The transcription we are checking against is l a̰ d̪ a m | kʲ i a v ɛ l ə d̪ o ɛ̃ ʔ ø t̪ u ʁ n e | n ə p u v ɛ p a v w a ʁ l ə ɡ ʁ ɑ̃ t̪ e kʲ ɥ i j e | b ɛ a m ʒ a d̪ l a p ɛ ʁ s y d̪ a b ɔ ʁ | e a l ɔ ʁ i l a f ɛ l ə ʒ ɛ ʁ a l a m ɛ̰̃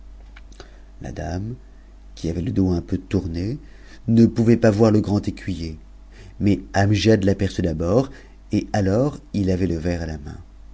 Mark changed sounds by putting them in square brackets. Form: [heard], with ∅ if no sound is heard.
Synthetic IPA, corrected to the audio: l a̰ d̪ a m | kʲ i a v ɛ l ə d̪ o ɛ̃ [p] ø t̪ u ʁ n e | n ə p u v ɛ p a v w a ʁ l ə ɡ ʁ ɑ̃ t̪ e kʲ ɥ i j e | [m] ɛ a m ʒ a d̪ l a p ɛ ʁ s y d̪ a b ɔ ʁ | e a l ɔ ʁ i l a [v] ɛ l ə [v] ɛ ʁ a l a m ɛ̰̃